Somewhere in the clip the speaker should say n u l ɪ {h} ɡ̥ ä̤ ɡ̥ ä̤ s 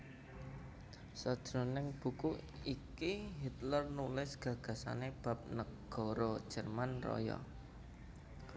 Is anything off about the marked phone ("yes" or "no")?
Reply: yes